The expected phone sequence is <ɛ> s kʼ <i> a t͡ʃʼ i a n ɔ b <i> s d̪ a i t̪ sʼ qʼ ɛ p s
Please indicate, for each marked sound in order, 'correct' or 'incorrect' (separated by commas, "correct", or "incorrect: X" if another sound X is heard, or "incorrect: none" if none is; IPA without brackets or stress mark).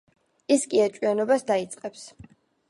incorrect: i, correct, incorrect: a